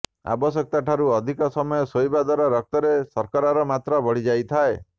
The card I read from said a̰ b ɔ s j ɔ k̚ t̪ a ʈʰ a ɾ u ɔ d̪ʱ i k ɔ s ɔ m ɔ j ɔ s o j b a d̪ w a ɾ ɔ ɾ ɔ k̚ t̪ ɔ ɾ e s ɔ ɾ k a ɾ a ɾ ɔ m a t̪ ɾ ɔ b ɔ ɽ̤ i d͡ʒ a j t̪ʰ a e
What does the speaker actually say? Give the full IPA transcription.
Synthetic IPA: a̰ b ɔ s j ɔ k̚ t̪ a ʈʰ a ɾ u ɔ d̪ʱ i k ɔ s ɔ m ɔ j ɔ s o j b a d̪ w a ɾ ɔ ɾ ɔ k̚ t̪ ɔ ɾ e s ɔ ɾ k a ɾ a ɾ ɔ m a t̪ ɾ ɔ b ɔ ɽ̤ i d͡ʒ a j t̪ʰ a e